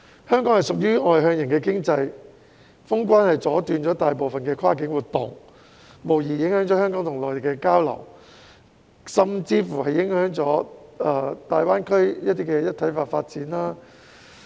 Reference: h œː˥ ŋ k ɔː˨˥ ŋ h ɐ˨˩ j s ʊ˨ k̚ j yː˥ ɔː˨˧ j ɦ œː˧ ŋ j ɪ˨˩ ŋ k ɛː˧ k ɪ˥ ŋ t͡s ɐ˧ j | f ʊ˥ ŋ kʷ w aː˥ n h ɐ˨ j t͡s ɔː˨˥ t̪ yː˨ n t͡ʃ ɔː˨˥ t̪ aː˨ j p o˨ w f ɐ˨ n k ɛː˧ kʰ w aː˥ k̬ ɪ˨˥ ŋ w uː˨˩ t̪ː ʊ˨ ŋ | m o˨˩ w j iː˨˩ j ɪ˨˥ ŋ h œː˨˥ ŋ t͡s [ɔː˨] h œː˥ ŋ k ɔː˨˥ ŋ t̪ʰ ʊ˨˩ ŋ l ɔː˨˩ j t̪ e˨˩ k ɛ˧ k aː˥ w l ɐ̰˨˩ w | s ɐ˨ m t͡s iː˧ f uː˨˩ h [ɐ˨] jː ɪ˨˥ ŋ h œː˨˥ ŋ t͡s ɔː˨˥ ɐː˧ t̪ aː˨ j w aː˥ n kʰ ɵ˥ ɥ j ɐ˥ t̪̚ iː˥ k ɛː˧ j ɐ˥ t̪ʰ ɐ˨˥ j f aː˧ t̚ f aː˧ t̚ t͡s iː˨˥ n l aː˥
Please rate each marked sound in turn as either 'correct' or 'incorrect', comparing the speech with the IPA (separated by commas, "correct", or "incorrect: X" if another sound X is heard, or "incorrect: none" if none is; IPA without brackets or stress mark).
incorrect: ɔː˨˥, correct